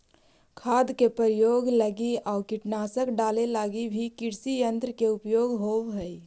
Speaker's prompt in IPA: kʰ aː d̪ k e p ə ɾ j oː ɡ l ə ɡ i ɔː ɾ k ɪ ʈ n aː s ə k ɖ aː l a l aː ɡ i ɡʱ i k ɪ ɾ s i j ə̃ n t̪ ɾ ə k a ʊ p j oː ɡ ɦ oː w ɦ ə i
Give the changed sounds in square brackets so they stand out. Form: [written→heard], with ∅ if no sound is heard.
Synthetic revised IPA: kʰ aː d̪ k e p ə ɾ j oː ɡ l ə ɡ i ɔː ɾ k ɪ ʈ n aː s ə k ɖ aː l [a→e] l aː ɡ i [ɡʱ→bʱ] i k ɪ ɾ s i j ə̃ n t̪ ɾ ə k [a→e] ʊ p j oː ɡ ɦ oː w ɦ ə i